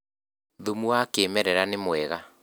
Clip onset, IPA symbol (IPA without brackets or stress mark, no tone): ð